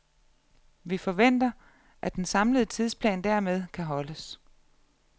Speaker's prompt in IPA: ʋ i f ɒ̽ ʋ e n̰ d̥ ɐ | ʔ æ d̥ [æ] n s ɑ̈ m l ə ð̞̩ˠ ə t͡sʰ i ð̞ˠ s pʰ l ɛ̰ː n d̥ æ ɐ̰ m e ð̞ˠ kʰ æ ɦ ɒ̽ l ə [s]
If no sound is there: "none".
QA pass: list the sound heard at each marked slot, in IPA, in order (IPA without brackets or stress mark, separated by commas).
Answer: e, s